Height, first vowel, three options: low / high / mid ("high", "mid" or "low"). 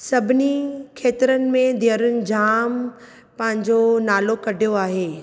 low